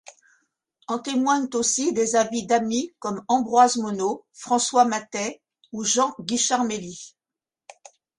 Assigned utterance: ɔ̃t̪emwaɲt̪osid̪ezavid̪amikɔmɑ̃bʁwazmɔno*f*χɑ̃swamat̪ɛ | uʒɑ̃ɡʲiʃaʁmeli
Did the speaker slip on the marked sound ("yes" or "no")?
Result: no